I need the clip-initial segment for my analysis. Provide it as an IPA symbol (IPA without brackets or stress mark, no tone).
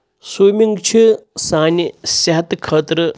s